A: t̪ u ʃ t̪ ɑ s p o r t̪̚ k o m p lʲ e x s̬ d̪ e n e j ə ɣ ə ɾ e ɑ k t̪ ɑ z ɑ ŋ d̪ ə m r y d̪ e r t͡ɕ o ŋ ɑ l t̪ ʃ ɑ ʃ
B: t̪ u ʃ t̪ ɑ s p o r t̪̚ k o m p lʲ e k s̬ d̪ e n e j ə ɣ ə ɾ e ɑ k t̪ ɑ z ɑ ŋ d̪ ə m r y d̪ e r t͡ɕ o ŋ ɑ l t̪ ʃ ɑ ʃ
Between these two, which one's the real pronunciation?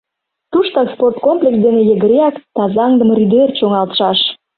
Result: B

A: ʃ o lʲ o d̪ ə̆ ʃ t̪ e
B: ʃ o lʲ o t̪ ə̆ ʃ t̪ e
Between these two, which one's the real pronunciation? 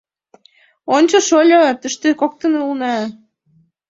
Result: B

